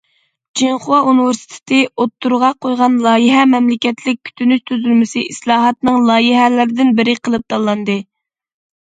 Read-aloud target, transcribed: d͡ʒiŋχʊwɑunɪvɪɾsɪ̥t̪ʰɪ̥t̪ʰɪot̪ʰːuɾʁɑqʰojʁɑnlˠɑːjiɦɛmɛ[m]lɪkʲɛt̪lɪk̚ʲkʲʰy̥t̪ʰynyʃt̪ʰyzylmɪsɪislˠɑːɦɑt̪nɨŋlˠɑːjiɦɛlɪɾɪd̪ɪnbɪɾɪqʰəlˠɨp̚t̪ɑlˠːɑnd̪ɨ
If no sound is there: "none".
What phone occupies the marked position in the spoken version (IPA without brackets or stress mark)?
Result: m